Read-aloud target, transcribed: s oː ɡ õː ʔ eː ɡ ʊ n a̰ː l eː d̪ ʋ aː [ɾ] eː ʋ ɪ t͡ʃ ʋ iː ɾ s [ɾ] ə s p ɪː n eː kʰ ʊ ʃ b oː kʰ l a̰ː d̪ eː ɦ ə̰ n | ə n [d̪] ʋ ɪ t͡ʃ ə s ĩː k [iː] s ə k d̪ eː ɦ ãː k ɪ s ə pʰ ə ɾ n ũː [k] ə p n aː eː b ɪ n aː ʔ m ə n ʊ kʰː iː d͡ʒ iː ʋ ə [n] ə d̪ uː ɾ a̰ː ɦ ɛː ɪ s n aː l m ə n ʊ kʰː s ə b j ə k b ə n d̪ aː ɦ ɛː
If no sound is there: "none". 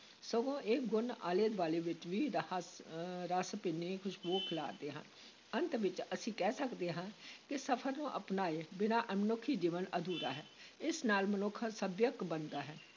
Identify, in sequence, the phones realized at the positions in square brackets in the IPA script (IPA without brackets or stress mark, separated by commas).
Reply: l, ɾ, t̪, ɛː, ʔ, n